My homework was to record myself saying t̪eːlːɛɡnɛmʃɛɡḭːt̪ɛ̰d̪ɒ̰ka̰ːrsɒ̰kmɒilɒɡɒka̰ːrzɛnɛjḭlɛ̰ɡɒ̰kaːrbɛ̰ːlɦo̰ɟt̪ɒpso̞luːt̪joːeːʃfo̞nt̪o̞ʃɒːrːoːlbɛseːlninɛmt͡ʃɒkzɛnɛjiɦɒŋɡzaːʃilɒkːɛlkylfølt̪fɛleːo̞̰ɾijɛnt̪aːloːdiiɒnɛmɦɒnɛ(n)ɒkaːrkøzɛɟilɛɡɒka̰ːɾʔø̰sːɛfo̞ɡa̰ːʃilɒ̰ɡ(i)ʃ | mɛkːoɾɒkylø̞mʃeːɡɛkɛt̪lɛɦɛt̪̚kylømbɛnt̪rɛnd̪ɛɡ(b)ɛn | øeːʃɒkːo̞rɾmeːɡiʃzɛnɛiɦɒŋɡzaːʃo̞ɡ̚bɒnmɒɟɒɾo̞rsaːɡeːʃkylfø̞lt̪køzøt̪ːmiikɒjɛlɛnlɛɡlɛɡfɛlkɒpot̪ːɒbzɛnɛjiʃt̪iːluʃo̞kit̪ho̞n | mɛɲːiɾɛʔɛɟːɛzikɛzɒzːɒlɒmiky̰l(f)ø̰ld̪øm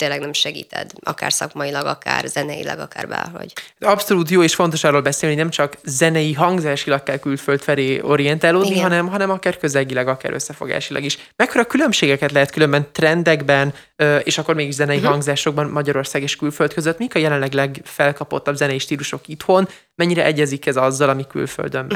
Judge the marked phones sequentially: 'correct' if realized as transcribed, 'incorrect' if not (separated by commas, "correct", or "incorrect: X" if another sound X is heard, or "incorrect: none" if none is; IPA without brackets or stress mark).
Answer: incorrect: m, correct, correct, correct